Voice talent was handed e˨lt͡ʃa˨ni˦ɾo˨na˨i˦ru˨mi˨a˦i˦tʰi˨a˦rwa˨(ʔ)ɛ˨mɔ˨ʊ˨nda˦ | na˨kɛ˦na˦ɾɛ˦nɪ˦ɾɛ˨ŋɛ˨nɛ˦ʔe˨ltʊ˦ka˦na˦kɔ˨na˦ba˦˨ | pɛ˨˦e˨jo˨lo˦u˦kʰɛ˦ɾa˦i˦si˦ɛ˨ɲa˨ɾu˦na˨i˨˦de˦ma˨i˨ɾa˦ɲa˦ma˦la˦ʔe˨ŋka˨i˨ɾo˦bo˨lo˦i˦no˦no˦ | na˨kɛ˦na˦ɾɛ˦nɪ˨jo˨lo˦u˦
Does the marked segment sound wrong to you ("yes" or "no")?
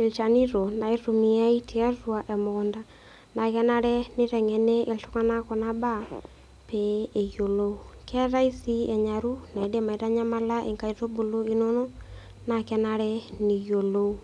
no